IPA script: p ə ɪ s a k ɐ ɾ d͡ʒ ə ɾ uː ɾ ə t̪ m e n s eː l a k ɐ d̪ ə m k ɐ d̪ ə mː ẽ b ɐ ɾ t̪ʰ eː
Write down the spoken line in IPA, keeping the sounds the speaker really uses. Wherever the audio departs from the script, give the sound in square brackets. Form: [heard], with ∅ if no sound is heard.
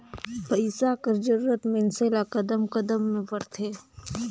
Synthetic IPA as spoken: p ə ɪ s a k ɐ ɾ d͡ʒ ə ɾ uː ɾ ə t̪ m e n s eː l a k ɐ d̪ ə m k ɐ d̪ ə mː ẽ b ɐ ɾ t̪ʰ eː